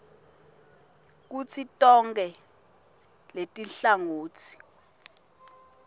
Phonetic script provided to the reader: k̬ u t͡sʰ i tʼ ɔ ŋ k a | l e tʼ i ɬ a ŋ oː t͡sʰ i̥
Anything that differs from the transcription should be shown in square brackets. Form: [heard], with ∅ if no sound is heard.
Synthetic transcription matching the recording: k̬ u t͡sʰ i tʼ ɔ ŋ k [ɛ] | l e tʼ i ɬ a ŋ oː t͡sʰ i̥